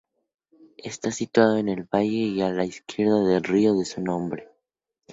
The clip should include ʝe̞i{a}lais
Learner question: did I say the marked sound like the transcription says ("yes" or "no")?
yes